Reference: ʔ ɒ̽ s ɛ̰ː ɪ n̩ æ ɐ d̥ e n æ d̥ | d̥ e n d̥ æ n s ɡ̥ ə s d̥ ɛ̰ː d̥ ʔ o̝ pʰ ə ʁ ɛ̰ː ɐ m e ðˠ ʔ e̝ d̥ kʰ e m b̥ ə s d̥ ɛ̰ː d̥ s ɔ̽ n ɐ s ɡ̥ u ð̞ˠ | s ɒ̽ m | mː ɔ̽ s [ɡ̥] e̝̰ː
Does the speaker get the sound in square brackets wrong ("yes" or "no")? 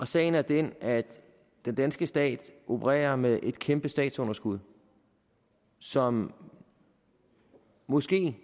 no